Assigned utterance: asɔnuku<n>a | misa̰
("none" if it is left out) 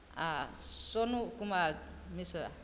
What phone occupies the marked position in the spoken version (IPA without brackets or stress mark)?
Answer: m